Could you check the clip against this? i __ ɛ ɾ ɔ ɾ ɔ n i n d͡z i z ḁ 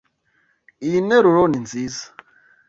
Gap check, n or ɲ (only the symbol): n